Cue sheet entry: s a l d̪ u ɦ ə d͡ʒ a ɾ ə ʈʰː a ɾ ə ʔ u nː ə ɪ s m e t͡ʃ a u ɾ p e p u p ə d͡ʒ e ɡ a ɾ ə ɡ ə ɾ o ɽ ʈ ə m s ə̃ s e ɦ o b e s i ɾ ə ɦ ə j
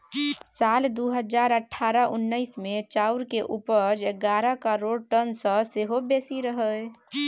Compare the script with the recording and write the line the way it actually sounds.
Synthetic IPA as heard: s a l d̪ u ɦ ə d͡ʒ a ɾ ə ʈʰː a ɾ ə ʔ u nː ə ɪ s m e t͡ʃ a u ɾ k e ʔ u p ə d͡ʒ e ɡ a ɾ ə k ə ɾ o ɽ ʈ ə n s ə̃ s e ɦ o b e s i ɾ ə ɦ ə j